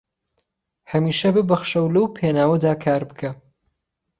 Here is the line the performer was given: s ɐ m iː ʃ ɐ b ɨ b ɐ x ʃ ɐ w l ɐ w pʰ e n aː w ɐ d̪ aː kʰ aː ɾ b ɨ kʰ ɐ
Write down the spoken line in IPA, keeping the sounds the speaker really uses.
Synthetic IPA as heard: h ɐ m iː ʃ ɐ b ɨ b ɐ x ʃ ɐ w l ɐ w pʰ e n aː w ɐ d̪ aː kʰ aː ɾ b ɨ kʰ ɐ